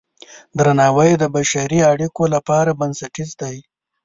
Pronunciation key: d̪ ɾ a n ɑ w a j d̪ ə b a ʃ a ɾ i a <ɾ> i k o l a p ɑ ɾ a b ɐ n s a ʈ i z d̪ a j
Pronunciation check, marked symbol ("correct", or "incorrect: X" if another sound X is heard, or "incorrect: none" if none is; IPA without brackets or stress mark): incorrect: ɽ